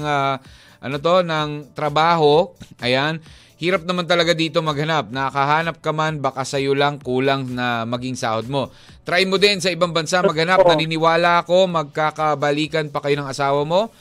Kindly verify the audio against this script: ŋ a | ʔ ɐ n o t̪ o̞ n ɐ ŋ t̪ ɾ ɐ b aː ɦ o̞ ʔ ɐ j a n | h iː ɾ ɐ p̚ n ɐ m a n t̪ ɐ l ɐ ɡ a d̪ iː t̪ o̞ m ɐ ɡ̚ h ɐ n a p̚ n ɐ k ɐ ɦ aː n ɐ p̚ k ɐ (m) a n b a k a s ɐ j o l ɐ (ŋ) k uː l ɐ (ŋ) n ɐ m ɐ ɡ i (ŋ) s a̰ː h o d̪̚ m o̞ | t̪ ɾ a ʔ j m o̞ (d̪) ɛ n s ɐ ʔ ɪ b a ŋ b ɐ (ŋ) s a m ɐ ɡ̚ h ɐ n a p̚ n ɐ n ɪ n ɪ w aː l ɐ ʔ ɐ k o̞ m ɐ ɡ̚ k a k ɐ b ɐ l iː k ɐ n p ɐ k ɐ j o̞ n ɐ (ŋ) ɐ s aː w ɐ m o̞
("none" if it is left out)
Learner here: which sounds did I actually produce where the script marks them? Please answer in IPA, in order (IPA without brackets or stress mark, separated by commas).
m, ŋ, ŋ, ŋ, d̪, n, ŋ